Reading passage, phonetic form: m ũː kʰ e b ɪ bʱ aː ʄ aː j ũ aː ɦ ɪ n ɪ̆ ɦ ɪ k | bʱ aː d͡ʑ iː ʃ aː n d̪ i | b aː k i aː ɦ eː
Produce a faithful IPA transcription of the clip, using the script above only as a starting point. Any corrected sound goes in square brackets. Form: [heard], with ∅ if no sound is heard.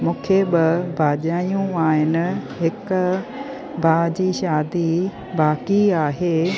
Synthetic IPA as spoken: m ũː kʰ e b ɪ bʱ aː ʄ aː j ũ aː ɦ ɪ n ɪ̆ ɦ ɪ k | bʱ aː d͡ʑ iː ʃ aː [∅] d̪ i | b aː k i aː ɦ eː